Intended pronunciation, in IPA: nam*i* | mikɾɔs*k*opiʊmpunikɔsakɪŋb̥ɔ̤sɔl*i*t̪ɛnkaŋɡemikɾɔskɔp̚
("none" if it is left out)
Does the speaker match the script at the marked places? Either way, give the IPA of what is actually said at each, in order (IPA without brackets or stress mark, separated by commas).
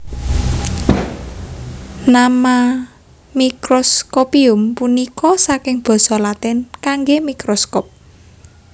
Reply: a, k, a